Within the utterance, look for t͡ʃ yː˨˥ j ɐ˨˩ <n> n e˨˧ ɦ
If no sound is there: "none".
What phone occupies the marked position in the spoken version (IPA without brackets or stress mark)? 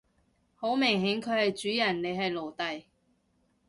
n